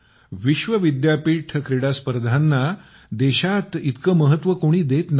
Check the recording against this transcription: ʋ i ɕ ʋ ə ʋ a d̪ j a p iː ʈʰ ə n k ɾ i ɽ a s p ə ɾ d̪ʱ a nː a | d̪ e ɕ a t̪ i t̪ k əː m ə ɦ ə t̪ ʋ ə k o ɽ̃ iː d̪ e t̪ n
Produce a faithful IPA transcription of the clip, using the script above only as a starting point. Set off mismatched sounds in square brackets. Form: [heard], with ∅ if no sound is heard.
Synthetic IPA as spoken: ʋ i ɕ ʋ ə ʋ [i] d̪ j a p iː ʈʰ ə [∅] k ɾ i ɽ a s p ə ɾ d̪ʱ a nː a | d̪ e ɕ a t̪ i t̪ k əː m ə ɦ ə t̪ ʋ ə k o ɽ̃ iː d̪ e t̪ n